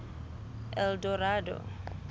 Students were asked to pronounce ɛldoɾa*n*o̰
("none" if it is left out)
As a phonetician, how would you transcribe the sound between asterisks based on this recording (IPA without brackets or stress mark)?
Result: d